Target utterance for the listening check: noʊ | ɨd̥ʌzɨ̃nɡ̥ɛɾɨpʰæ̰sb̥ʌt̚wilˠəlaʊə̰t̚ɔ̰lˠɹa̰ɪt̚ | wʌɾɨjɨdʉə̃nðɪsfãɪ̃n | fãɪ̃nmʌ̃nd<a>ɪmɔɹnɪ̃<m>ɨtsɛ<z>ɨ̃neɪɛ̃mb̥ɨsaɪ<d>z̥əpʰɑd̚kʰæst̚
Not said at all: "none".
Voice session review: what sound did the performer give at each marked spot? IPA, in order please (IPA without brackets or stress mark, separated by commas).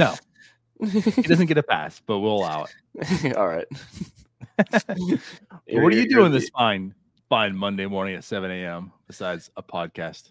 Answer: e, ŋ, v, d